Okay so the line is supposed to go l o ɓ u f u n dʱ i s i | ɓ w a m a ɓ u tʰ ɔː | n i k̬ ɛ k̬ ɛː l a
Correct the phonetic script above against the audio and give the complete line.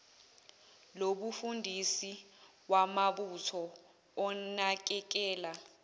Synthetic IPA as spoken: l o ɓ u f u n dʱ i s i | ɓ w a m a ɓ u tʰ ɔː | n a k̬ ɛ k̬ ɛː l a